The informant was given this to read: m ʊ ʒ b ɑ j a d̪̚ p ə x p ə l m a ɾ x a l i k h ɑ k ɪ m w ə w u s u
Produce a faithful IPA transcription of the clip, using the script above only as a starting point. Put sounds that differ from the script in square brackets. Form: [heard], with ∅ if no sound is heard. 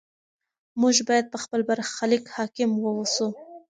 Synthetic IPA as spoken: m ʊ ʒ b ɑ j a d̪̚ p ə x p ə l [b] a ɾ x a l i k h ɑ k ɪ m w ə w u s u

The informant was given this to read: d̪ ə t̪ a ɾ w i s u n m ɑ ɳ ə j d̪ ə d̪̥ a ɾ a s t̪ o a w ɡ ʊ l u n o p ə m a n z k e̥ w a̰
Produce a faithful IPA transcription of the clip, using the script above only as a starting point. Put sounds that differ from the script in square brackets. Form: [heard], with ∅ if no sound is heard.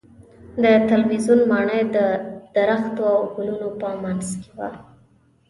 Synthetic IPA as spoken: d̪ ə t̪ a [l] w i [z] u n m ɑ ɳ ə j d̪ ə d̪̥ a ɾ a [x] t̪ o a w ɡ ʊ l u n o p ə m a n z k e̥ w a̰

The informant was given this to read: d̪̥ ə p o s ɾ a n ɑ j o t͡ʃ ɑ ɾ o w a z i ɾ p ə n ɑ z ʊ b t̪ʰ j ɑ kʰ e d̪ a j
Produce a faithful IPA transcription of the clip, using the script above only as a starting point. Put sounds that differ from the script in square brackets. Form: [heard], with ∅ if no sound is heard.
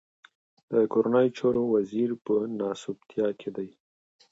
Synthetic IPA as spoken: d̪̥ ə [k] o [∅] ɾ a n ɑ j o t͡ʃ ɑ ɾ o w a z i ɾ p ə n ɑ [s] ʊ b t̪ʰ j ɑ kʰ e d̪ a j

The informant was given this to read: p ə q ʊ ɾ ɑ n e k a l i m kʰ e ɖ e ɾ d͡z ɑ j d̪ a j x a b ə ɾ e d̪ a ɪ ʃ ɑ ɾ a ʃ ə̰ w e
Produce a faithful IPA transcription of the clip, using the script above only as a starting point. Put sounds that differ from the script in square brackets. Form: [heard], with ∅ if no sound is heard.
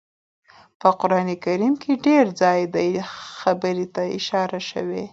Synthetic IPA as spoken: p ə q ʊ ɾ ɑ n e k a [ɾ] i m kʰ e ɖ e ɾ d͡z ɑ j d̪ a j x a b ə ɾ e [t̪] a ɪ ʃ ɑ ɾ a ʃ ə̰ w e

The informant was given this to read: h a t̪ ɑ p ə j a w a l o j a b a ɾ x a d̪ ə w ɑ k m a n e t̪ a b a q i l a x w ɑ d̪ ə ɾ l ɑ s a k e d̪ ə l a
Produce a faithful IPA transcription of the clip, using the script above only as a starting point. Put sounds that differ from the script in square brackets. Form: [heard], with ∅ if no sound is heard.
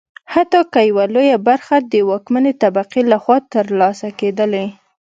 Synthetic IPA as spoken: h a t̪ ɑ [k] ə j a w a l o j a b a ɾ x a d̪ ə w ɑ k m a n e t̪ a b a q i l a x w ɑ [t̪] ə ɾ l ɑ s a k e d̪ ə l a

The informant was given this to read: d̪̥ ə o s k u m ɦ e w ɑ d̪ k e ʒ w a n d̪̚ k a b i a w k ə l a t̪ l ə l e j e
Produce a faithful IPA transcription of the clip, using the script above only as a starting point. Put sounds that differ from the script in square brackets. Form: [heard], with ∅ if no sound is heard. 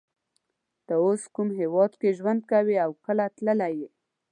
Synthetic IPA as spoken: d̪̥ ə o s k u m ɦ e w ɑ d̪ k e ʒ w a n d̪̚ k a [w] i a w k ə l a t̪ l ə l [a] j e

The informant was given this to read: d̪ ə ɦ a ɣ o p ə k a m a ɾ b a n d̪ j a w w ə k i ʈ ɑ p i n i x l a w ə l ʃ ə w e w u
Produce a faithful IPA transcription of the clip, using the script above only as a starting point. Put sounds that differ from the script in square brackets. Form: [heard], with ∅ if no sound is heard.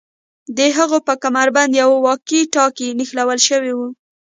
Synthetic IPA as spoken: d̪ ə ɦ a ɣ o p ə k a m a ɾ b a n d̪ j a w w [ɑ] k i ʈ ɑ [k] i n i x l a w ə l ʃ ə w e w u

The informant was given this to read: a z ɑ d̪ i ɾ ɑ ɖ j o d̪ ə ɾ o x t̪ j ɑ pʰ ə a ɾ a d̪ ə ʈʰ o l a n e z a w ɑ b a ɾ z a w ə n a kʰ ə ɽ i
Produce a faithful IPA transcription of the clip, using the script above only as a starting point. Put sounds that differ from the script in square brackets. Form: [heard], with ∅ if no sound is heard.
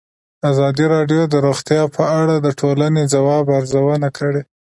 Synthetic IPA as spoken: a z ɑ d̪ i ɾ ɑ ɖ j o d̪ ə ɾ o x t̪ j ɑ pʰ ə a [ɽ] a d̪ ə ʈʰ o l a n e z a w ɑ b a ɾ z a w ə n a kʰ ə ɽ [e]

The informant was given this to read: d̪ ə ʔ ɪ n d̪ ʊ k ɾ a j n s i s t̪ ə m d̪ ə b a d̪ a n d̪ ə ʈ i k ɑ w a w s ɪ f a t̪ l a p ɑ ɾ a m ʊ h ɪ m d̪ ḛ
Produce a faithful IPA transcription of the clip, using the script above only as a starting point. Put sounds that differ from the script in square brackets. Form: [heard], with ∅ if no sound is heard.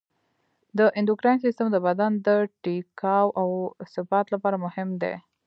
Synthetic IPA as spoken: d̪ ə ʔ ɪ n d̪ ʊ k ɾ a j n s i s t̪ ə m d̪ ə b a d̪ a n d̪ ə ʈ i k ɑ w a w s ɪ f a t̪ l a p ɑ ɾ a m ʊ h ɪ m d̪ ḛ

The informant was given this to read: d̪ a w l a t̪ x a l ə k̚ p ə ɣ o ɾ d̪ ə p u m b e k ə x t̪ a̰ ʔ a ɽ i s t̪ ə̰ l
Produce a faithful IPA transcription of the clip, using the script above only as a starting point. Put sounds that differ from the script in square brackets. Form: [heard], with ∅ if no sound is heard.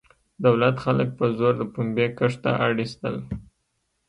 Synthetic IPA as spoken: d̪ a w l a t̪ x a l ə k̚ p ə [z] o ɾ d̪ ə p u m b e k ə [ʂ] t̪ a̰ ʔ a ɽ i s t̪ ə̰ l

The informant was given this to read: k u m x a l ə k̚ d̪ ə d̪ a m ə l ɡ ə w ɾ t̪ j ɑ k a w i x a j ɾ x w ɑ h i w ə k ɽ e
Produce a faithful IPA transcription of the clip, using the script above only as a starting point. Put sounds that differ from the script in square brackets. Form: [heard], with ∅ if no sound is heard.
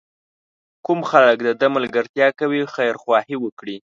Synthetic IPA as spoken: k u m x a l ə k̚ d̪ ə d̪ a m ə l ɡ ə [∅] ɾ t̪ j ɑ k a w i x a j ɾ x w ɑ h i w ə k ɽ [i]

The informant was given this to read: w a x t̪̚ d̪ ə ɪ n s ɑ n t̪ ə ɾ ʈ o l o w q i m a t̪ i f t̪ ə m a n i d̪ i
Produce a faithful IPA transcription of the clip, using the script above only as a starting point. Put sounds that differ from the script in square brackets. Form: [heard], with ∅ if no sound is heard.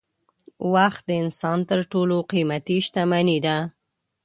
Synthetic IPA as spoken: w a x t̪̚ d̪ ə ɪ n s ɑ n t̪ ə ɾ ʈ o l o [∅] q i m a t̪ i [ʃ] t̪ [a] m a n i d̪ [a]

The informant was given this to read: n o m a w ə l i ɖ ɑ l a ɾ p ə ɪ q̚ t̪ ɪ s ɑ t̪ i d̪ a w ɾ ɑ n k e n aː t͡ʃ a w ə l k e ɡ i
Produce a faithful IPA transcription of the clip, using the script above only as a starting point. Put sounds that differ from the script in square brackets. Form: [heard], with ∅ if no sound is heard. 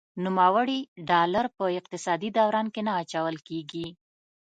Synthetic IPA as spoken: n [u] m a w ə [ɽ] i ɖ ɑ l a ɾ p ə ɪ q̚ t̪ ɪ s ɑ [d̪] i d̪ a w ɾ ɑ n k e n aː t͡ʃ a w ə l k e ɡ i

